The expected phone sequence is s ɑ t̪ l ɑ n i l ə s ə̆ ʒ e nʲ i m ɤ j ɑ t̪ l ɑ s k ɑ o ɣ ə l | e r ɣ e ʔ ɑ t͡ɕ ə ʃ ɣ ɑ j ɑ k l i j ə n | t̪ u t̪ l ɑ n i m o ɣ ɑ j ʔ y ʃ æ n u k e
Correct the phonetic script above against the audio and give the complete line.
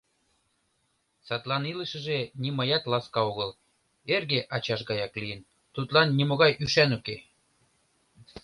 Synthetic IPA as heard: s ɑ t̪ l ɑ n i l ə ʃ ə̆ ʒ e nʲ i m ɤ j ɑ t̪ l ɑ s k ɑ o ɣ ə l | e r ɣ e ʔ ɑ t͡ɕ ɑ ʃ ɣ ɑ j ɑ k l i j ə n | t̪ u t̪ l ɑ nː i m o ɣ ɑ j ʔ y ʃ æ n u k e